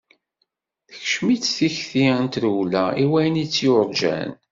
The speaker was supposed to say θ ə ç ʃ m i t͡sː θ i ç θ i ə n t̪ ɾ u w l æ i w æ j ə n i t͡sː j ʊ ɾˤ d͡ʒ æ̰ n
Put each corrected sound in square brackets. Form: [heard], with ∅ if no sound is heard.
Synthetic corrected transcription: θ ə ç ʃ m i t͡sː θ i ç θ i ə n t̪ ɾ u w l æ i w æ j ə n i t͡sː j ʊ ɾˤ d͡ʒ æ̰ n